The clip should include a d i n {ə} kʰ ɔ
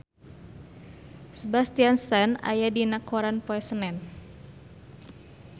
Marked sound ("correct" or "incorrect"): incorrect